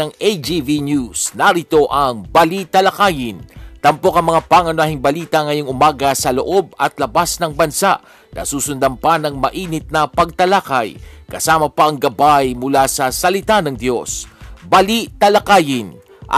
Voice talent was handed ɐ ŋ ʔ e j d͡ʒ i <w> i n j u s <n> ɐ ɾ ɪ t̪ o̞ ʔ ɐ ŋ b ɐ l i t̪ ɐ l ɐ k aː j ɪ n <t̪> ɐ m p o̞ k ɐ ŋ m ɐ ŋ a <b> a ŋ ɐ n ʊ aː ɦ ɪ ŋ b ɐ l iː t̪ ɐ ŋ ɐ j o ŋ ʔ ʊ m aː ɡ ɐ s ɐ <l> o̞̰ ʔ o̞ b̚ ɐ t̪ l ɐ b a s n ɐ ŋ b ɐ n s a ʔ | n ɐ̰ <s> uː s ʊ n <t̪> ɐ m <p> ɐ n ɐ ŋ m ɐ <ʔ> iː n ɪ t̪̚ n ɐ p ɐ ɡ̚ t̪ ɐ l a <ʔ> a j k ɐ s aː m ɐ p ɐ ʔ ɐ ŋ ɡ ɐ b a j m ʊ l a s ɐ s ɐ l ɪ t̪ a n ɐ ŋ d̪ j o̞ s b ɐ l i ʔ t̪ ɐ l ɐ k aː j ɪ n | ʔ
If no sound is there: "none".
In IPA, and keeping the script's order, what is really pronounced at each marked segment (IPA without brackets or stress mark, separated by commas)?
v, n, t̪, p, l, s, d̪, p, ʔ, k